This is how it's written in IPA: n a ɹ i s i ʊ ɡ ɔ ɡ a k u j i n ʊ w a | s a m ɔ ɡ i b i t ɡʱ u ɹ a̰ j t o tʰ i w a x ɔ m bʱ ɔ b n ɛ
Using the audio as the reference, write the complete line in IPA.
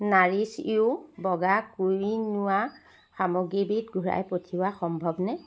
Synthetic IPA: n a ɹ i s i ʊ b ɔ ɡ a k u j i n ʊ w a | x a m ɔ ɡ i b i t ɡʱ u ɹ a̰ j p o tʰ i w a x ɔ m bʱ ɔ b n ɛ